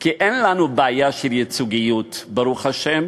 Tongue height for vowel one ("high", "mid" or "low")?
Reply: high